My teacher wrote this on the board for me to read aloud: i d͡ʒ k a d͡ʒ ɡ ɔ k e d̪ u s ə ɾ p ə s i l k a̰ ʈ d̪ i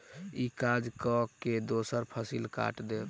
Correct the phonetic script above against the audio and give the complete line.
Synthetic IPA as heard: i k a d͡ʒ k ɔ k e d̪ o s ə ɾ pʰ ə s i l k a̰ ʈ d̪ e